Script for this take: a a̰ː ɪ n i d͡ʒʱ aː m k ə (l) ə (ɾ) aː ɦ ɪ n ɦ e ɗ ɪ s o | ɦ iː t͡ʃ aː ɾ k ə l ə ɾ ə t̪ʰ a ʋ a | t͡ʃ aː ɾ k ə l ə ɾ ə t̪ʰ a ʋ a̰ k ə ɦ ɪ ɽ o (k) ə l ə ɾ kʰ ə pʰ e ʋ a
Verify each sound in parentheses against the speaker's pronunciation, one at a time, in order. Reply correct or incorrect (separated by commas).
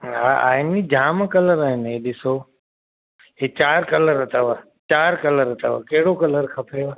correct, correct, correct